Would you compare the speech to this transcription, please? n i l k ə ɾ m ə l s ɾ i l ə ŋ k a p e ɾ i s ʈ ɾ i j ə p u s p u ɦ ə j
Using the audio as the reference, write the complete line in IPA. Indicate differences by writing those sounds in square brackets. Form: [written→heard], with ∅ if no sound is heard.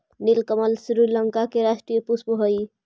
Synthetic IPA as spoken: n i l k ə [ɾ→∅] m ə l s ɾ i l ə ŋ k a [p→k] e ɾ [i→a] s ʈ ɾ i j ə p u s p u ɦ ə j